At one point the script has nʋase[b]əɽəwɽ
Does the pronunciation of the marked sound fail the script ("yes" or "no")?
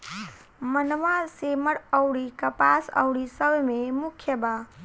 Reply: yes